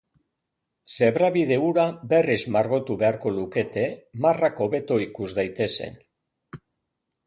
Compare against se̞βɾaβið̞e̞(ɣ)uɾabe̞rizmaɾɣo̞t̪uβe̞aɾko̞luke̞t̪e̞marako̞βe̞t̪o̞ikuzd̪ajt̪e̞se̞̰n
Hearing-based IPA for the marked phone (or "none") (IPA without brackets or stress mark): none